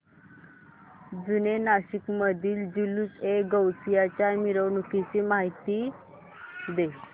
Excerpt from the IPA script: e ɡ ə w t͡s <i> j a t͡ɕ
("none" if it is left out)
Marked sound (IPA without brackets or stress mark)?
i